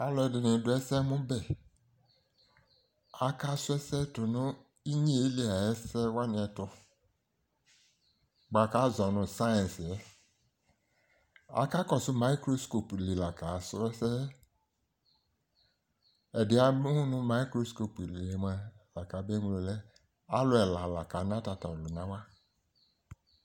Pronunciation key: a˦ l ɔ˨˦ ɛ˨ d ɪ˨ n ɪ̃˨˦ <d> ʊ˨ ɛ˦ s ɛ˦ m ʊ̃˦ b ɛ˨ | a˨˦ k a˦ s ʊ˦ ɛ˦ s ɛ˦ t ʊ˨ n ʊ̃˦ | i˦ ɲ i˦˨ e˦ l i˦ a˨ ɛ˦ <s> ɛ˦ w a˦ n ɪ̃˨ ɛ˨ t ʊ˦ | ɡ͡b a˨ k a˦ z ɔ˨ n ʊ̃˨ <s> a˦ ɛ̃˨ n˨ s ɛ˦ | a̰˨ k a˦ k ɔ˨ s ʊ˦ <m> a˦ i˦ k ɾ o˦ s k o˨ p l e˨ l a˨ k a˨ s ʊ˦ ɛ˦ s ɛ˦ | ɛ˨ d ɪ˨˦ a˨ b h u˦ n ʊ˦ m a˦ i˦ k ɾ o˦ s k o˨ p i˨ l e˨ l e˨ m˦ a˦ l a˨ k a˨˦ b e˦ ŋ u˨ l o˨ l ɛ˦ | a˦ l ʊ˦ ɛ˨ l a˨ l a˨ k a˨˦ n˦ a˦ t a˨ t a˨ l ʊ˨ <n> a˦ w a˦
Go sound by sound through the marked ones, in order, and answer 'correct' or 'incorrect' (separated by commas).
correct, correct, correct, correct, correct